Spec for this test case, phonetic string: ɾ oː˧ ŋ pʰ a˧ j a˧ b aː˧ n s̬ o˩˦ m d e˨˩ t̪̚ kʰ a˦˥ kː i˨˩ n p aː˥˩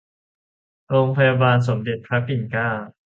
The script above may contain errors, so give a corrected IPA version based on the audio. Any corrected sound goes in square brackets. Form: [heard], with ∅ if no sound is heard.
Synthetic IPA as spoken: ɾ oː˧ ŋ pʰ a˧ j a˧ b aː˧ n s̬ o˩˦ m d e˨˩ t̪̚ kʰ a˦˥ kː i˨˩ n [k] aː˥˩